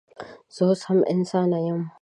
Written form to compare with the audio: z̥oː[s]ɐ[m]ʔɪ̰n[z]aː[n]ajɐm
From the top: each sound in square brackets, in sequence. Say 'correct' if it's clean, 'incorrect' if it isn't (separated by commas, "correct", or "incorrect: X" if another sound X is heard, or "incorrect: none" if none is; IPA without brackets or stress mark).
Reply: correct, correct, incorrect: s, correct